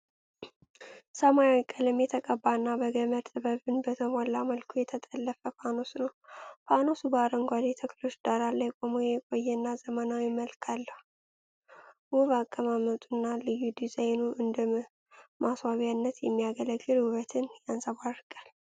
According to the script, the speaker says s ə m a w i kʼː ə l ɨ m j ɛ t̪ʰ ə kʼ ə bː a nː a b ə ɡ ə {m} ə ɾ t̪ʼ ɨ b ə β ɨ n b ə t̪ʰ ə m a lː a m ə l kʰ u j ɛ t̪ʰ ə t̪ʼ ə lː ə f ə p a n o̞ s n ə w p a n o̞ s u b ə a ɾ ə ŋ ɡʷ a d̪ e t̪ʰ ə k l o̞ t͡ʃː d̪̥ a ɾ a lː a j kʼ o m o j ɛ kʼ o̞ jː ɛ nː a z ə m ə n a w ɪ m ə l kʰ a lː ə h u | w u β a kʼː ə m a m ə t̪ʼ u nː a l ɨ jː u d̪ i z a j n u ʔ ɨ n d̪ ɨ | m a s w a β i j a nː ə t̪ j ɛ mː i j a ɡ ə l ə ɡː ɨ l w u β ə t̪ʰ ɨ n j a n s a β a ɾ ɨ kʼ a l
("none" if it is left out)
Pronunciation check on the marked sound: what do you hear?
m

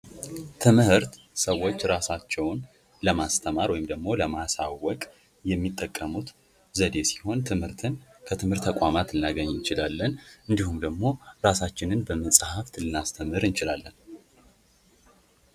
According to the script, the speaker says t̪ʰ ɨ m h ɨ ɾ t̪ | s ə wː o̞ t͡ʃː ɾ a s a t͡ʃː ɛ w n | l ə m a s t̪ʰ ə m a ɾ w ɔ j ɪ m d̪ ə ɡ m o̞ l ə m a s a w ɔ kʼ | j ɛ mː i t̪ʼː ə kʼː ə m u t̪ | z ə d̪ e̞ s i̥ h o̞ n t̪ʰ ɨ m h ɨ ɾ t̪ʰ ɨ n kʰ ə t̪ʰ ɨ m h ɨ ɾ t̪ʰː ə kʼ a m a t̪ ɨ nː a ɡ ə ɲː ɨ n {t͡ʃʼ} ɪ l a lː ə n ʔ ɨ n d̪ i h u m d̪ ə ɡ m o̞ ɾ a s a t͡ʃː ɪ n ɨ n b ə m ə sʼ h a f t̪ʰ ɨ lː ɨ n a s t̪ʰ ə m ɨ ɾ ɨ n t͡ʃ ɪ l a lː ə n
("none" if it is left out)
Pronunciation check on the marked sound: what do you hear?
t͡ʃ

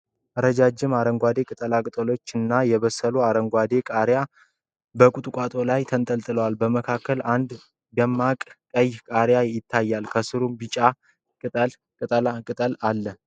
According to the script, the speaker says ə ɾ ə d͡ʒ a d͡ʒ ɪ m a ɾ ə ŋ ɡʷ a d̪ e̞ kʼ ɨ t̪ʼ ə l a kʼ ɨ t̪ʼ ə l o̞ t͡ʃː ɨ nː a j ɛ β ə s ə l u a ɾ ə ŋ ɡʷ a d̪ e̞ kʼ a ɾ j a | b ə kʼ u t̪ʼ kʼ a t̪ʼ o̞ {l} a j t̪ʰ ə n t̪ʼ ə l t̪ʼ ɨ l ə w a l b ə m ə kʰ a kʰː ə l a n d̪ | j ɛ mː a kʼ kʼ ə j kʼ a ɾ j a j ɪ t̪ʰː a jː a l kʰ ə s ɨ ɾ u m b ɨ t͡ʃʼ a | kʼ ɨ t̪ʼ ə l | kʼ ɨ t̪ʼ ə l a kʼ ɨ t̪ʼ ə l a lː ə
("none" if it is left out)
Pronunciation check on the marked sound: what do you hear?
l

